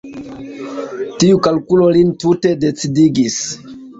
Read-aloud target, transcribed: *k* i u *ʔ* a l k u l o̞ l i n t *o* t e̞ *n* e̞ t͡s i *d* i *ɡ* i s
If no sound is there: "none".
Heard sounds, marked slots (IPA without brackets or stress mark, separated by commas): t, k, u, d, d, ɡ